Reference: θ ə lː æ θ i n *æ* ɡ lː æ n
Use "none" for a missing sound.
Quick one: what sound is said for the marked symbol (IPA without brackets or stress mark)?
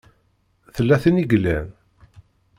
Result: i